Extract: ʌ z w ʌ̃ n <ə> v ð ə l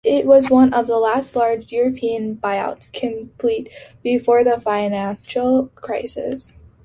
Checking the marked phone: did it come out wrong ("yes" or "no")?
yes